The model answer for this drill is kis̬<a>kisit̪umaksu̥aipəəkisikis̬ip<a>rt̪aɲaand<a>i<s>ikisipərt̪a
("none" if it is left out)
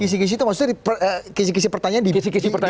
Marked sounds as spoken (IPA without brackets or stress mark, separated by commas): i, ə, i, s